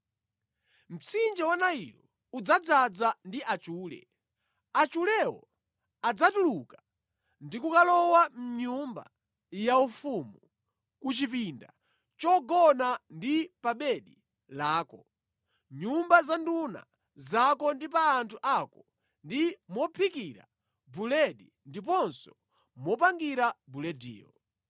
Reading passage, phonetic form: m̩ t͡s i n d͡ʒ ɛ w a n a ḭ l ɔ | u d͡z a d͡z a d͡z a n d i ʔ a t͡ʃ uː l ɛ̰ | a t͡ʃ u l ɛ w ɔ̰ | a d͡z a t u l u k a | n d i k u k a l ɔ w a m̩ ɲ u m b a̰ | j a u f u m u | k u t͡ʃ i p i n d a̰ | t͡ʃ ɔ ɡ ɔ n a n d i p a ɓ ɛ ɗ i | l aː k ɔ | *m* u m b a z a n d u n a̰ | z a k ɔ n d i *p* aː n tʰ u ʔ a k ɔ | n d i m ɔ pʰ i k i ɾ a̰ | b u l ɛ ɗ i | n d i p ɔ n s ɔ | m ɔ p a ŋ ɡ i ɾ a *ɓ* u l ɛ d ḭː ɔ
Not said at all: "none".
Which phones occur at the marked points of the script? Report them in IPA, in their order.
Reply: ɲ, p, b

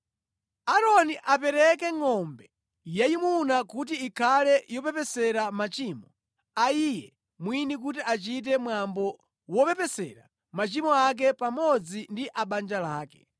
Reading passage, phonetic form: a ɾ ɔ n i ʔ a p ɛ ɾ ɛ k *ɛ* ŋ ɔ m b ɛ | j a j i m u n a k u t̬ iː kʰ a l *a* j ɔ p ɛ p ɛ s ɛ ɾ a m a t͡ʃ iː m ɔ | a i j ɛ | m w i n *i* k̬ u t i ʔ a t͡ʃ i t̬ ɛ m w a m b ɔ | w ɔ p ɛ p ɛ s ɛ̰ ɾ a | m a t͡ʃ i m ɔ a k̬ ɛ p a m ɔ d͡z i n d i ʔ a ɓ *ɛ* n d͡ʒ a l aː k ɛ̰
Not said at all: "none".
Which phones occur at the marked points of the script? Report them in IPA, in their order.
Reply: ɛ, ɛ, i, a

